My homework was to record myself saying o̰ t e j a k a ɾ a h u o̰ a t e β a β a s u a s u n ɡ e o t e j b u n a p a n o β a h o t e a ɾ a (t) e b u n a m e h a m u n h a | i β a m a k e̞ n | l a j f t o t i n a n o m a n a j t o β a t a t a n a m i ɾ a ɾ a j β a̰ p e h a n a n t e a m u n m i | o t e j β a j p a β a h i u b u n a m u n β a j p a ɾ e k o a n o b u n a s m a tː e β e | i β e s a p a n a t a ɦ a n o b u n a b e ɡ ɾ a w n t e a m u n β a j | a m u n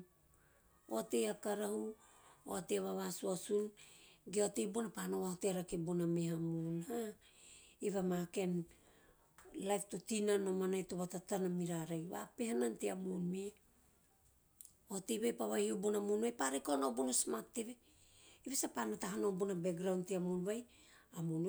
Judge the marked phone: incorrect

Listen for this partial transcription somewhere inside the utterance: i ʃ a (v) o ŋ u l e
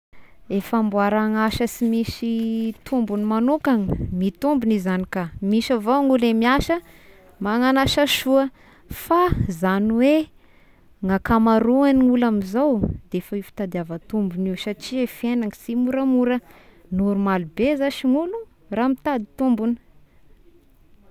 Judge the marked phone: correct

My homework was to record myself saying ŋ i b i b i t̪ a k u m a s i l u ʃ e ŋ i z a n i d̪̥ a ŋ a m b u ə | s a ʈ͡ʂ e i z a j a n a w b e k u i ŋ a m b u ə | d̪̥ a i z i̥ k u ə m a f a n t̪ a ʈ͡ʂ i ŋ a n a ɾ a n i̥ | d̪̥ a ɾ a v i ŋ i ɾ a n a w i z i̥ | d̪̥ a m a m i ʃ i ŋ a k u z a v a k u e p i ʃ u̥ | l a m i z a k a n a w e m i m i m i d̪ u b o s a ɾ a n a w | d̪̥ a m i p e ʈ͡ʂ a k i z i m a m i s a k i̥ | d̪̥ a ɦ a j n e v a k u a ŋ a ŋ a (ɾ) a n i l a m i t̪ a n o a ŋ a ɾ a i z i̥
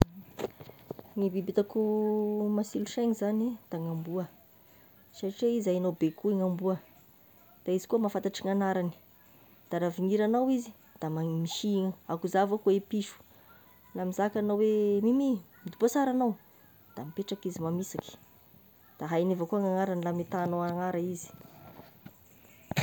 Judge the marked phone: correct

